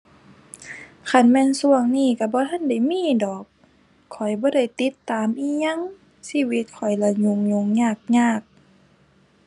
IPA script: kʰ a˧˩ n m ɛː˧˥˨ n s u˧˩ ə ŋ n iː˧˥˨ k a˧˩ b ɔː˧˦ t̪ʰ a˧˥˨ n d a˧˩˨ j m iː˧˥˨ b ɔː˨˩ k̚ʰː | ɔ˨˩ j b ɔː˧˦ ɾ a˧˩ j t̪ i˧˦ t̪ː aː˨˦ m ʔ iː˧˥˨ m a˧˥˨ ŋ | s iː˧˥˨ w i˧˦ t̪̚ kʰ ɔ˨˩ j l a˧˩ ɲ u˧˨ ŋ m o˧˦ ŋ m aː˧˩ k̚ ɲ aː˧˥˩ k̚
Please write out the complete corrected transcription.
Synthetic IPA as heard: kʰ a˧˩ n m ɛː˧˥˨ n s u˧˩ ə ŋ n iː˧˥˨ k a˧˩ b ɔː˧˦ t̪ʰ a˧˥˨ n d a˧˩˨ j m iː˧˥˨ d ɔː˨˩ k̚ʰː | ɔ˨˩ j b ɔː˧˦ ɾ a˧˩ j t̪ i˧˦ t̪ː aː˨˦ m ʔ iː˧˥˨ ɲ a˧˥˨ ŋ | s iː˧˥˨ w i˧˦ t̪̚ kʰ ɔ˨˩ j l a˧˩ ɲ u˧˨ ŋ ɲ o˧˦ ŋ ɲ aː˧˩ k̚ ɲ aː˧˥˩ k̚